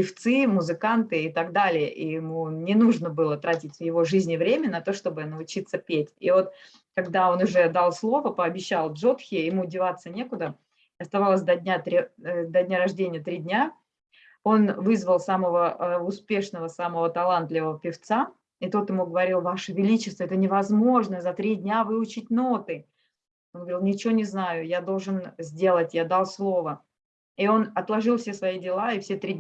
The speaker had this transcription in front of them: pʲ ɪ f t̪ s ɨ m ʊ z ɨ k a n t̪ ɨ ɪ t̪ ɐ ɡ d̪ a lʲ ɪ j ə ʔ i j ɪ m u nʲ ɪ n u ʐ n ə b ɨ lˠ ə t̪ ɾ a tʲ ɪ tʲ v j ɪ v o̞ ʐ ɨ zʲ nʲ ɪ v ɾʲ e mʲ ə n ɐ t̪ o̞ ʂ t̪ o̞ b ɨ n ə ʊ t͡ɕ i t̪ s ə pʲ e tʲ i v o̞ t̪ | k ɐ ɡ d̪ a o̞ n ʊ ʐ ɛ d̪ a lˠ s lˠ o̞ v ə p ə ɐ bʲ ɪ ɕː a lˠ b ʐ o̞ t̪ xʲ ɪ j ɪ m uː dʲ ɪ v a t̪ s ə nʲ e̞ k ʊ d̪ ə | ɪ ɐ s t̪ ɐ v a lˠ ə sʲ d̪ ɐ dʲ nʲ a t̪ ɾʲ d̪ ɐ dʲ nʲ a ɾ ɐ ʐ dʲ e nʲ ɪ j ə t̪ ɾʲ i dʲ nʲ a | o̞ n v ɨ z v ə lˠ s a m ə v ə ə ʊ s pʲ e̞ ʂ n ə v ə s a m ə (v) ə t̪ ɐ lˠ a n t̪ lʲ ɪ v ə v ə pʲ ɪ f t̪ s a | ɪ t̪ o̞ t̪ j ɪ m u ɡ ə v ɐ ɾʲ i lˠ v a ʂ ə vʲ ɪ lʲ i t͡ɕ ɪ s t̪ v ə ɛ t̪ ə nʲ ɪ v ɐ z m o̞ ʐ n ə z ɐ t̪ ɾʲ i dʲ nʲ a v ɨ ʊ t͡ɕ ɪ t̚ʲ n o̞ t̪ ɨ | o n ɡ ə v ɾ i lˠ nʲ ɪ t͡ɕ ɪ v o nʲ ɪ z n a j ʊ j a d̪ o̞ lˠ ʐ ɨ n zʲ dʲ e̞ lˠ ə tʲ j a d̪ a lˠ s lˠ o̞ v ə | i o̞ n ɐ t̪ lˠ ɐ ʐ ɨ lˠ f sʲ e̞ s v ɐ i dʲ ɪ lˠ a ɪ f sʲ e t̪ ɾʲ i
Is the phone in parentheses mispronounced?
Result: no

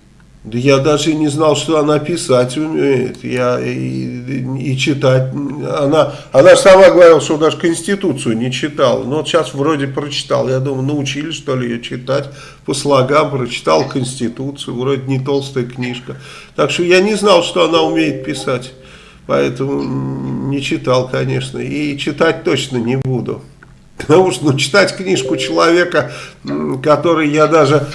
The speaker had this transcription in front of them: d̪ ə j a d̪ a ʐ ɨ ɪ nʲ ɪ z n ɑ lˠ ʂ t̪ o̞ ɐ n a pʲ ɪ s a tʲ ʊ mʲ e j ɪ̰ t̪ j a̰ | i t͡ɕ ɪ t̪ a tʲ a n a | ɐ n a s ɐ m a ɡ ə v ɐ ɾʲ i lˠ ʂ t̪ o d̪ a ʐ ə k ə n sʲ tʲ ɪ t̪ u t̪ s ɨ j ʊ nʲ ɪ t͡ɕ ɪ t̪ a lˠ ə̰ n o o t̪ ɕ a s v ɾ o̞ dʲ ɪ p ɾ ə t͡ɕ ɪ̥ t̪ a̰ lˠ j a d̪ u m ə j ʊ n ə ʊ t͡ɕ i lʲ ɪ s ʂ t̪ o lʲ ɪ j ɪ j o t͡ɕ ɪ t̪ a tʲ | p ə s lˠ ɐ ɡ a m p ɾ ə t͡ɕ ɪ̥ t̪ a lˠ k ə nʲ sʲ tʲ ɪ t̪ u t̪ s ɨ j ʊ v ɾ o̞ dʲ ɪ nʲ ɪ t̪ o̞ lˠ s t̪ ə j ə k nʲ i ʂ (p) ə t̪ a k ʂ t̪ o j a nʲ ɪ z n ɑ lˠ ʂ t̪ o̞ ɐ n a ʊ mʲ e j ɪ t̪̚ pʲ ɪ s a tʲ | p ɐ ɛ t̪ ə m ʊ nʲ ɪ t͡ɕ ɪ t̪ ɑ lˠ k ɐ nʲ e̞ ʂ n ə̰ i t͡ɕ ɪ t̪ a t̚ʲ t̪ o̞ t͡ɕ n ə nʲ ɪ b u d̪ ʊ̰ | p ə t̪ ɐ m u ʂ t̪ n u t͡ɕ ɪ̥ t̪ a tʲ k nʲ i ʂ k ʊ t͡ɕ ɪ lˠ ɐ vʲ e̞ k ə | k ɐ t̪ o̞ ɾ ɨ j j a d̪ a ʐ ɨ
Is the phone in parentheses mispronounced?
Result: yes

